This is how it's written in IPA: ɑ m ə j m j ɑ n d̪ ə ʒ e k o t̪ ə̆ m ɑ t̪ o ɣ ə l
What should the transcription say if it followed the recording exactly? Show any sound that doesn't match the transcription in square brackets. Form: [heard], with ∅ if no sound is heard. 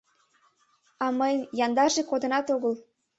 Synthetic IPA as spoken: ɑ m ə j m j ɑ n d̪ [ɑ] ʒ e k o [d̪] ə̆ [n] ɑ t̪ o ɣ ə l

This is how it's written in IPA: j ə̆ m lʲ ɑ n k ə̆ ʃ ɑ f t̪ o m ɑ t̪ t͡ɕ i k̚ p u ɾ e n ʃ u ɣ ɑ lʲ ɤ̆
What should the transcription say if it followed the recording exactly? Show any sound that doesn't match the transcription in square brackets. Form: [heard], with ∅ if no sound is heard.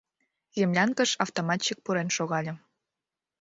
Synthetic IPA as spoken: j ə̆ m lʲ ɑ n k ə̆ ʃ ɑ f t̪ o m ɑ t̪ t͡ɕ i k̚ p u ɾ e n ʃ [o] ɣ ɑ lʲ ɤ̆

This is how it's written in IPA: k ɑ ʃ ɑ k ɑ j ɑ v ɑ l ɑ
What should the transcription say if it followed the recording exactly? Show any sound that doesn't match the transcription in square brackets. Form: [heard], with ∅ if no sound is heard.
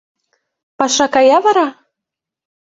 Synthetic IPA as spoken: [p] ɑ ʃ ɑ k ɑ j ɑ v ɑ [ɾ] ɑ

